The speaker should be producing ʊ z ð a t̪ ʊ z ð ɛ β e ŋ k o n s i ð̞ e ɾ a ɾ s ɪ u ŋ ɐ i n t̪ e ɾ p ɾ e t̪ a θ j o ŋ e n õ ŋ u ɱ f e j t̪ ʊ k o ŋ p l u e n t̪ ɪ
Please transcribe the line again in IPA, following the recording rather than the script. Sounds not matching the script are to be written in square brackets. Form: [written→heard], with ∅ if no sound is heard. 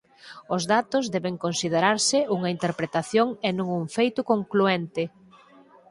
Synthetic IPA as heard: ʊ z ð a t̪ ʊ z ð ɛ β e ŋ k o n s i ð̞ e ɾ a ɾ s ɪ u ŋ ɐ i n t̪ e ɾ p ɾ e t̪ a θ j o ŋ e n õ ŋ u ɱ f e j t̪ ʊ k o ŋ [p→k] l u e n t̪ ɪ